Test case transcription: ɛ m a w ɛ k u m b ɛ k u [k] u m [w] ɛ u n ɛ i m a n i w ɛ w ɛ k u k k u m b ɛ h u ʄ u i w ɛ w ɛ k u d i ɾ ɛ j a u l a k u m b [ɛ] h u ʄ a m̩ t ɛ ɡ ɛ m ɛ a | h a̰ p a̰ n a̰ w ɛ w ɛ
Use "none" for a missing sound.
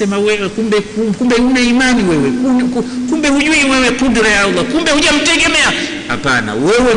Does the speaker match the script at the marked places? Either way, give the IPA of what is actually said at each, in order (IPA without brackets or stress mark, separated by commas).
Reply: k, b, ɛ